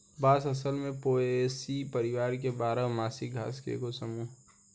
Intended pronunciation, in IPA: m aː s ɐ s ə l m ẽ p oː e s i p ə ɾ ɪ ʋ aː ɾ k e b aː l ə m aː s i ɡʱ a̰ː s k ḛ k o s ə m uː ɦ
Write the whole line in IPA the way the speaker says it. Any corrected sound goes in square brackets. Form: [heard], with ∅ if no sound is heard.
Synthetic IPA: [b] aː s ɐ s ə l m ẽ p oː e s i p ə ɾ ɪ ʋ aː ɾ k e b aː [ɾ] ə m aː s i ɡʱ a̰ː s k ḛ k o s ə m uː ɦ